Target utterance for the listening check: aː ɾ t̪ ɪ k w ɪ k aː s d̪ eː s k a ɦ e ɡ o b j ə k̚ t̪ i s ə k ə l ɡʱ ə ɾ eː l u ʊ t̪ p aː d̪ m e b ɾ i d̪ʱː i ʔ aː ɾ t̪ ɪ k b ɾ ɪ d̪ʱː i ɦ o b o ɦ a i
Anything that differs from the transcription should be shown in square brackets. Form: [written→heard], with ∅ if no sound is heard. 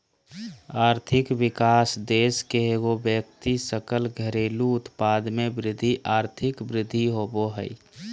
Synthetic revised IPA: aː ɾ [t̪→t̪ʰ] ɪ k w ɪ k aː s d̪ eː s k [a→e] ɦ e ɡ o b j ə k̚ t̪ i s ə k ə l ɡʱ ə ɾ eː l u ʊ t̪ p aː d̪ m e b ɾ [i→ɪ] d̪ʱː i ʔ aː ɾ [t̪→t̪ʰ] ɪ k b ɾ ɪ d̪ʱː i ɦ o b o ɦ [a→ə] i